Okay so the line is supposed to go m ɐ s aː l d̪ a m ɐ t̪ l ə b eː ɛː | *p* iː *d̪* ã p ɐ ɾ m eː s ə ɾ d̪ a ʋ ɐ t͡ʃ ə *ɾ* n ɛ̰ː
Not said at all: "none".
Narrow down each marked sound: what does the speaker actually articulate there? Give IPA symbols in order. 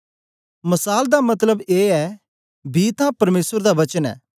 b, t̪, none

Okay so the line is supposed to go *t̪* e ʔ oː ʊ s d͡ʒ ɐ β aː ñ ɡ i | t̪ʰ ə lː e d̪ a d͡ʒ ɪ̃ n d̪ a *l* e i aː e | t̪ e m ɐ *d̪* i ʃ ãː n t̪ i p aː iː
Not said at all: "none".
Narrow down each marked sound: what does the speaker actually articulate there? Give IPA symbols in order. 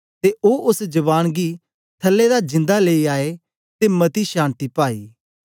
t̪, l, t̪

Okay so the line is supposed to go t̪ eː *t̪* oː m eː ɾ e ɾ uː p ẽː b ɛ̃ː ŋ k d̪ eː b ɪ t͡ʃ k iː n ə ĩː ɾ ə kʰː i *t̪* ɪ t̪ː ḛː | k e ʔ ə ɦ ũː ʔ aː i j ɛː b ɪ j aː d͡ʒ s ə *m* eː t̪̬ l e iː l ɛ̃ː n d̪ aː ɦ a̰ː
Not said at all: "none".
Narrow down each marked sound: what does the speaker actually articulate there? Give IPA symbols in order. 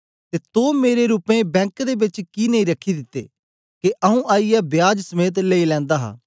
t̪, d̪, m

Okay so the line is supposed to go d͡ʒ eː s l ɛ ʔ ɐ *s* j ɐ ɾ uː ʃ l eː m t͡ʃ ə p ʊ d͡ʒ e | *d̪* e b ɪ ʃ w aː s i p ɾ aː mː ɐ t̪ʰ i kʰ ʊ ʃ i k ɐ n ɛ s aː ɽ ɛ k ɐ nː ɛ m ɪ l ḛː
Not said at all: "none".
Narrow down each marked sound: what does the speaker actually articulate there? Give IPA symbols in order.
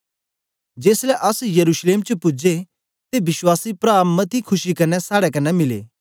s, t̪

